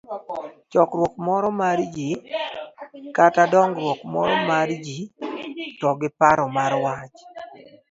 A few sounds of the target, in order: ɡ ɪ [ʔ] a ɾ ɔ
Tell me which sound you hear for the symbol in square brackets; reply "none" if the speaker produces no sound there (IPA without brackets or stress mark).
p